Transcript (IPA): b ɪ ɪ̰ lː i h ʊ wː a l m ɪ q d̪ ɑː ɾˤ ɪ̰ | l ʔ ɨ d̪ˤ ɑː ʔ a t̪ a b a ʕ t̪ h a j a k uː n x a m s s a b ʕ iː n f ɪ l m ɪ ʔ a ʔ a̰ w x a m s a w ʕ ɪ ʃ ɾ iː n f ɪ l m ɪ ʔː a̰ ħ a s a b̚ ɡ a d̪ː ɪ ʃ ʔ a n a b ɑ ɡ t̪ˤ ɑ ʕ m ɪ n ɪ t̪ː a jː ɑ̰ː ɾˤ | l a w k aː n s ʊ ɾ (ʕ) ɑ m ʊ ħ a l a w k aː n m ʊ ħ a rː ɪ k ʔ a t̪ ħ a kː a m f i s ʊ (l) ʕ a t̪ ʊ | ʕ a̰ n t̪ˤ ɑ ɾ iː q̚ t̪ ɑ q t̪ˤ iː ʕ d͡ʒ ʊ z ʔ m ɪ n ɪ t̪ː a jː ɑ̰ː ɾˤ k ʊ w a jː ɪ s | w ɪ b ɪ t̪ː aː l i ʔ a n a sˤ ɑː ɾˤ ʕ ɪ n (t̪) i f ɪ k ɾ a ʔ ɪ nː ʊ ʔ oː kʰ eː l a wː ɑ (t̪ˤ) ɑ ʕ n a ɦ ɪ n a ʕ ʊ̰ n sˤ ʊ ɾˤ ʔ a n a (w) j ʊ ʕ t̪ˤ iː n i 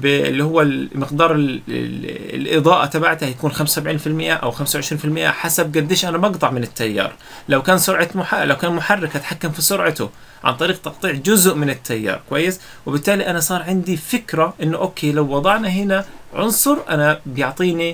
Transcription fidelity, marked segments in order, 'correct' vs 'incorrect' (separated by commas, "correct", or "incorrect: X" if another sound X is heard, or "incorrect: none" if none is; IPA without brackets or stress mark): correct, incorrect: ɾ, incorrect: d̪, incorrect: d̪ˤ, incorrect: b